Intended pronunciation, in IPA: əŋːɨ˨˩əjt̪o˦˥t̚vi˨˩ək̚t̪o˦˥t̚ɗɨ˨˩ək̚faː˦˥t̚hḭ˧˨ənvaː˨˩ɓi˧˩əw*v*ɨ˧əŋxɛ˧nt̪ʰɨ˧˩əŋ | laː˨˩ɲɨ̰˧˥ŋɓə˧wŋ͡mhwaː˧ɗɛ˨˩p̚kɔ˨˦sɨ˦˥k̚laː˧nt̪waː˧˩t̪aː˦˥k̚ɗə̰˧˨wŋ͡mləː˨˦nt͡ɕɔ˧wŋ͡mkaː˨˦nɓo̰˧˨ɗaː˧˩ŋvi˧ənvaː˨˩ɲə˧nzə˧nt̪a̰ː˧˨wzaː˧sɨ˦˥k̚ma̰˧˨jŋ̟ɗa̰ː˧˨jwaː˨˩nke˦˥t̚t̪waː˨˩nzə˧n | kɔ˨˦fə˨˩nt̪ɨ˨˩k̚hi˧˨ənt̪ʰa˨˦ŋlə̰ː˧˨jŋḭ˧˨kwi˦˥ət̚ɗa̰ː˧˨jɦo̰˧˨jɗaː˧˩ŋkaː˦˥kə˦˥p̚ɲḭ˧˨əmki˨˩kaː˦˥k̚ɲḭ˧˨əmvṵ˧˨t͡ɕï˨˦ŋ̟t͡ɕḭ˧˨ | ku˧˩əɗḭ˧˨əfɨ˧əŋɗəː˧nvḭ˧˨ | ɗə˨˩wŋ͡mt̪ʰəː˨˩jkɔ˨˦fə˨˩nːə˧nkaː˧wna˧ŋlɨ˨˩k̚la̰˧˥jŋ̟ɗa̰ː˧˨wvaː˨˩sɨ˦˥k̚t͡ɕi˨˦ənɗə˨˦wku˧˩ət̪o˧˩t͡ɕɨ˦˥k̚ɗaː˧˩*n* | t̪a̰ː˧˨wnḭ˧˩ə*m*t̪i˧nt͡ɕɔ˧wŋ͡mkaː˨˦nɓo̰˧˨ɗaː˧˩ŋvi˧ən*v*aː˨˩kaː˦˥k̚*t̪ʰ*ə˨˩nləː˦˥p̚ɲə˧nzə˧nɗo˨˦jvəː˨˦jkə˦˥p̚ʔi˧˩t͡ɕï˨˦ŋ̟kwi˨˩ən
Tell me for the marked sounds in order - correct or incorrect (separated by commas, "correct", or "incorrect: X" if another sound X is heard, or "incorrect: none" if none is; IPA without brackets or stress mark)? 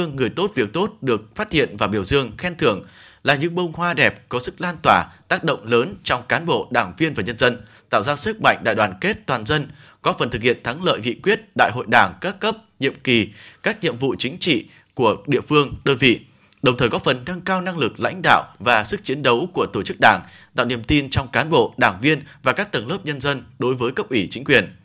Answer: incorrect: z, incorrect: ŋ, correct, correct, incorrect: t̪